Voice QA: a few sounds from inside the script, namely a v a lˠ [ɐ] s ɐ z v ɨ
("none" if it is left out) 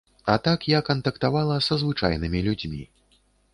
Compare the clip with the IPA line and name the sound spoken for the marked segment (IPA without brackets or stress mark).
ɐ